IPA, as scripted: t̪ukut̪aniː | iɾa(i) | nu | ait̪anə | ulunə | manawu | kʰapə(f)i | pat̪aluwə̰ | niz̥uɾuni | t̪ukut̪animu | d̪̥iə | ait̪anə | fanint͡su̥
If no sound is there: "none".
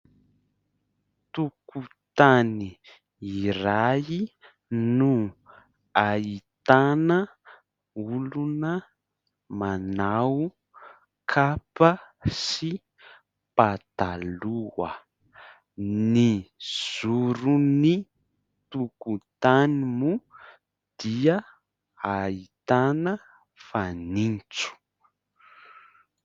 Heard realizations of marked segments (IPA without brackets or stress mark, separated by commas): i, s